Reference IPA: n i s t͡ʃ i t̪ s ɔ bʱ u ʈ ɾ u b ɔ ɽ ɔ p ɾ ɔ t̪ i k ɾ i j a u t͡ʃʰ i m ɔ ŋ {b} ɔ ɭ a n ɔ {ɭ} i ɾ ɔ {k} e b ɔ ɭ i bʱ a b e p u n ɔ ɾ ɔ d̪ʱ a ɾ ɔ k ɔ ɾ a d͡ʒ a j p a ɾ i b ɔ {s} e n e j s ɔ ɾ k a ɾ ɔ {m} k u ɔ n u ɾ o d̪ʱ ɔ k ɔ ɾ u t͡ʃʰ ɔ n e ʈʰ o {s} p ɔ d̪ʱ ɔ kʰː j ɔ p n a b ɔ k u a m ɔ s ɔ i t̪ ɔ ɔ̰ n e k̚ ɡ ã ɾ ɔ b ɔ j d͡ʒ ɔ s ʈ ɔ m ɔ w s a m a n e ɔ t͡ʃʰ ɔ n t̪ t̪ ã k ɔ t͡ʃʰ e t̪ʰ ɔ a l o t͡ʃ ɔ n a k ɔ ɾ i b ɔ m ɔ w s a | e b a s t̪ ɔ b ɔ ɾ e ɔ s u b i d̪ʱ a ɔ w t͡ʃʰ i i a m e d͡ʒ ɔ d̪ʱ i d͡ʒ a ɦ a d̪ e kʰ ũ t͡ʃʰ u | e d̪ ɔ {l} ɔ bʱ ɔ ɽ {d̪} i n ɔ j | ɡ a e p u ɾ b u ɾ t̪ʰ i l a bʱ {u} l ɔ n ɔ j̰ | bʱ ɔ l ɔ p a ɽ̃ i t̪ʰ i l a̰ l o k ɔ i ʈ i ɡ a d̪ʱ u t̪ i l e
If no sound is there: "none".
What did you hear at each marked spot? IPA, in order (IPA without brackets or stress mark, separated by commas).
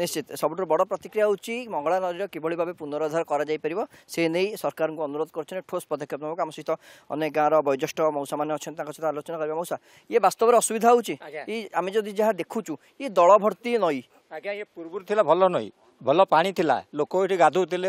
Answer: ɡ, ɾ, k, s, ŋ, s, ɭ, t̪, ɔ